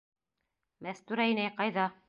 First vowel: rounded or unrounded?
unrounded